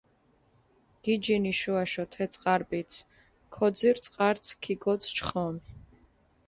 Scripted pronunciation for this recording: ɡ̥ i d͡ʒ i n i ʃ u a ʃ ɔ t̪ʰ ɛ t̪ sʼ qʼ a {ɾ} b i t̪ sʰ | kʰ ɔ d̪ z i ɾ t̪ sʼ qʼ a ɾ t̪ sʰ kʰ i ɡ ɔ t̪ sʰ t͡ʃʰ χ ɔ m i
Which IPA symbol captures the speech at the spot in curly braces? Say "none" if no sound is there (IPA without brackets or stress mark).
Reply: ɾ